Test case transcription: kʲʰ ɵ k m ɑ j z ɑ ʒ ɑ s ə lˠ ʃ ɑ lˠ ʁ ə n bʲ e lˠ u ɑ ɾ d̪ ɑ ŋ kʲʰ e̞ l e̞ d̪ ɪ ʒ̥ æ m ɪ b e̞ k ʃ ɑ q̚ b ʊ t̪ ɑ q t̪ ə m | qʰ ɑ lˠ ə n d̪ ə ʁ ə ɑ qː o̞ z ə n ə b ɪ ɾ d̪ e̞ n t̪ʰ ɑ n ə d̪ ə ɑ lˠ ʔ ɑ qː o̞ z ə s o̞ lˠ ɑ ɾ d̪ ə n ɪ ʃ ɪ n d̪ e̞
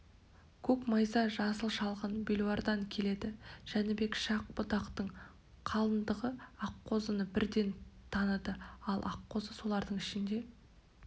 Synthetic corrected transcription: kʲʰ ɵ k m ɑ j z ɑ ʒ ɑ s ə lˠ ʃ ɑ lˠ ʁ ə n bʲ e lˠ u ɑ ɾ d̪ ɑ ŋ kʲʰ e̞ l e̞ d̪ ɪ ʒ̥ æ n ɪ b e̞ k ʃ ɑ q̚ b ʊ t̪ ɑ q t̪ ə ɴ | qʰ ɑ lˠ ə n d̪ ə ʁ ə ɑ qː o̞ z ə n ə b ɪ ɾ d̪ e̞ n t̪ʰ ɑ n ə d̪ ə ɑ lˠ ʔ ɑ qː o̞ z ə s o̞ lˠ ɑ ɾ d̪ ə ɴ ɪ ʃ ɪ n d̪ e̞